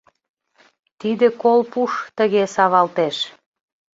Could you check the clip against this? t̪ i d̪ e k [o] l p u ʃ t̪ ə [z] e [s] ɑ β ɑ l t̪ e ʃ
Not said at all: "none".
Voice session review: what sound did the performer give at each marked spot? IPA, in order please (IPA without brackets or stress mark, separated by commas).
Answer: o, ɣ, s